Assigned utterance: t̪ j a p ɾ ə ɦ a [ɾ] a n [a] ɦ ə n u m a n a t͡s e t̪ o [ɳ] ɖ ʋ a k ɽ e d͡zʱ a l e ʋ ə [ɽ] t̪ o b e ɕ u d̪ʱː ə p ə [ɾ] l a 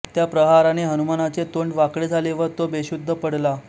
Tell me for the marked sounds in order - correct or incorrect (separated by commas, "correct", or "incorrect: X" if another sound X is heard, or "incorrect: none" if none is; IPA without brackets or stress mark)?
correct, incorrect: e, correct, incorrect: ɾ, incorrect: ɽ